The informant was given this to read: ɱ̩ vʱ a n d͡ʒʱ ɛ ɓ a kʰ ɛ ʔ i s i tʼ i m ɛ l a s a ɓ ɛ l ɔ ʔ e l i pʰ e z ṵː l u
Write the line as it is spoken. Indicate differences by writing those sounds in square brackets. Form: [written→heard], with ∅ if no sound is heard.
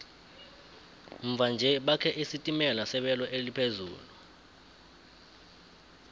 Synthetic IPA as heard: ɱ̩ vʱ a n d͡ʒʱ ɛ ɓ a kʰ ɛ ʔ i s i tʼ i m ɛ l a s [a→ɛ] ɓ ɛ l ɔ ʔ e l i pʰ e z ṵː l u